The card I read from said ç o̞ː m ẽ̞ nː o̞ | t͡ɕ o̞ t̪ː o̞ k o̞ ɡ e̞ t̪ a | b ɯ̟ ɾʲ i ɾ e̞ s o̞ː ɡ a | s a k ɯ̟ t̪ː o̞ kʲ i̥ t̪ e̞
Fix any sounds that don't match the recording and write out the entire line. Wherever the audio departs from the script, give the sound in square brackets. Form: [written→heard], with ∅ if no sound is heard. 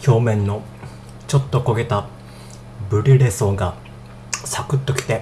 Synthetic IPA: ç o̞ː m ẽ̞ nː o̞ | t͡ɕ o̞ t̪ː o̞ k o̞ ɡ e̞ t̪ a | b ɯ̟ ɾʲ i ɾ e̞ s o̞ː ɡ a | s a k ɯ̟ t̪ː o̞ kʲ i̥ t̪ e̞